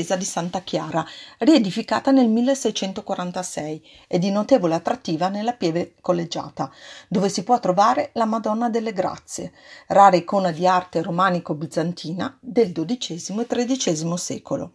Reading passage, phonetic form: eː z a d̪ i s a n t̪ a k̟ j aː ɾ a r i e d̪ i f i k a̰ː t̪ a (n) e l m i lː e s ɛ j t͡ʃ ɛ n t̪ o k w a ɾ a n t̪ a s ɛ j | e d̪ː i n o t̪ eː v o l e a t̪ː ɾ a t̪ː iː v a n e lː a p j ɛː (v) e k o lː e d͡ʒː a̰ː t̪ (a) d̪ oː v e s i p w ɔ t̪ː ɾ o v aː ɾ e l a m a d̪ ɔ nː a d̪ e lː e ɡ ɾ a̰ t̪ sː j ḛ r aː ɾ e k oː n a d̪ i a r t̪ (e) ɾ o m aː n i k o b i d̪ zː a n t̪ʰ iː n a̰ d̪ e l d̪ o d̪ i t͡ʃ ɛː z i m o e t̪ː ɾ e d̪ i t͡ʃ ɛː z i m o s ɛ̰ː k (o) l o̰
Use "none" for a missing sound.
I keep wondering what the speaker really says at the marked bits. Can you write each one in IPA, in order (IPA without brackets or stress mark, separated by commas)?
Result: n, v, a, e, o